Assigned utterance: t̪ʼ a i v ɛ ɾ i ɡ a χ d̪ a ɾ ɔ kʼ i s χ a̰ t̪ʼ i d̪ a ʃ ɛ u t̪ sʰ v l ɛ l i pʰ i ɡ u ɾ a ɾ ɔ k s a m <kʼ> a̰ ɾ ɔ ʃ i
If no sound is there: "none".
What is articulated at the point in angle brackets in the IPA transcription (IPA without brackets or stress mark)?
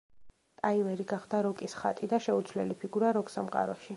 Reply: qʼ